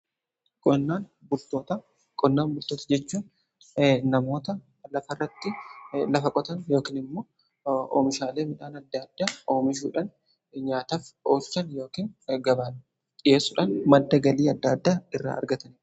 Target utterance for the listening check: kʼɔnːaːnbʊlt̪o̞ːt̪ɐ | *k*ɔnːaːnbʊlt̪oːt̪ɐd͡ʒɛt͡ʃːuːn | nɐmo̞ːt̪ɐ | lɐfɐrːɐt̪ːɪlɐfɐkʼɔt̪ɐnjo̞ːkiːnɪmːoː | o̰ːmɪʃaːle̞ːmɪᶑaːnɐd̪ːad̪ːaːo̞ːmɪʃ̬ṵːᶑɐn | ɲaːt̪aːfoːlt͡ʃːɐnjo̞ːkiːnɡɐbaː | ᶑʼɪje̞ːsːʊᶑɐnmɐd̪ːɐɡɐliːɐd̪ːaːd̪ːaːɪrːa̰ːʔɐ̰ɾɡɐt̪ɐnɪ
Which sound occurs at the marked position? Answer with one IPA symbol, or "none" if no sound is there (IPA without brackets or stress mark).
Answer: kʼ